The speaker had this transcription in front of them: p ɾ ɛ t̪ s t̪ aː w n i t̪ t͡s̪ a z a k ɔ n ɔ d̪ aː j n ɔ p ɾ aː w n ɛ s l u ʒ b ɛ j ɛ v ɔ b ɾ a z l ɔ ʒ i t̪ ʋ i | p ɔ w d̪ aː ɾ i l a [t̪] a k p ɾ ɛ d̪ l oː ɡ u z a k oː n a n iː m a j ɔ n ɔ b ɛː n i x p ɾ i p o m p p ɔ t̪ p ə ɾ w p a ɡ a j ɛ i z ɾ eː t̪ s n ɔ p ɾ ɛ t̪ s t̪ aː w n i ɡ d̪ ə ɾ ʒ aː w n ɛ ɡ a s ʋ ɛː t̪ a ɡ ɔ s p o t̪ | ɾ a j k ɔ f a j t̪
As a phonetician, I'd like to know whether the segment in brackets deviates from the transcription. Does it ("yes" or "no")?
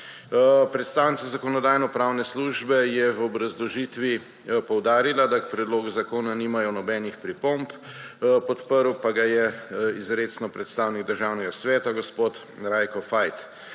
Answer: yes